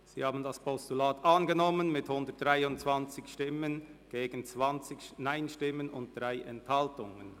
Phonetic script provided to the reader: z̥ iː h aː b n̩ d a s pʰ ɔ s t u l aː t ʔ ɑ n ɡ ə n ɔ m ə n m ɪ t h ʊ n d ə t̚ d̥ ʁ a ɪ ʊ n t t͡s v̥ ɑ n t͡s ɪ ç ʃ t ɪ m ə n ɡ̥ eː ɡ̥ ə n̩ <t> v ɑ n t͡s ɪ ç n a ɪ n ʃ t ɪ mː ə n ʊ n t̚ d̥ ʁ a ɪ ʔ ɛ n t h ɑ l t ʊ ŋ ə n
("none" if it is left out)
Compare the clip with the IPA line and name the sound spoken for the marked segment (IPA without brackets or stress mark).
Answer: t͡s